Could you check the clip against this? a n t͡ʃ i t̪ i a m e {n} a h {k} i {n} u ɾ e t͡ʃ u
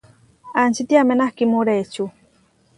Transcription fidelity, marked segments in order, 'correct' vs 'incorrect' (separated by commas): correct, correct, incorrect